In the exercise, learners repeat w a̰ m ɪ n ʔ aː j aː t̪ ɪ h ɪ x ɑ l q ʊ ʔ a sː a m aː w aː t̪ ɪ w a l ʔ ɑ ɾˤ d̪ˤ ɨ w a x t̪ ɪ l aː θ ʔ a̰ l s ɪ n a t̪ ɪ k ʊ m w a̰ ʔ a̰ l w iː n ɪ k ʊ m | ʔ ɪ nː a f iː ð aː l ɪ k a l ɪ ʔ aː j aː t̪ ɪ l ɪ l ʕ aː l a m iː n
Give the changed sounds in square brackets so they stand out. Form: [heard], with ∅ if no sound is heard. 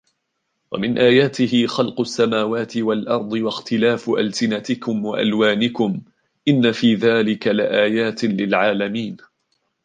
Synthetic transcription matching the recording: w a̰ m ɪ n ʔ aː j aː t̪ ɪ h ɪ x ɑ l q ʊ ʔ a sː a m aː w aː t̪ ɪ w a l ʔ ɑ ɾˤ d̪ˤ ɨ w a x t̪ ɪ l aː [f] ʔ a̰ l s ɪ n a t̪ ɪ k ʊ m w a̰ ʔ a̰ l w [aː] n ɪ k ʊ m | ʔ ɪ nː a f iː ð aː l ɪ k a l ɪ ʔ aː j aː t̪ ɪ l ɪ l ʕ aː l a m iː n